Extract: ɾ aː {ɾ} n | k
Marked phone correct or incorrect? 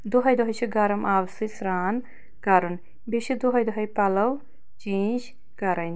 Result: incorrect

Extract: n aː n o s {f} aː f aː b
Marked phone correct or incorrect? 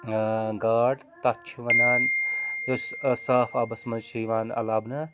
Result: incorrect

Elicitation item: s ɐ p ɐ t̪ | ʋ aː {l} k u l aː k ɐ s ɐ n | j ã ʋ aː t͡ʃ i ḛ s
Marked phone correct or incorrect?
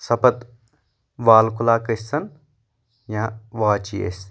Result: correct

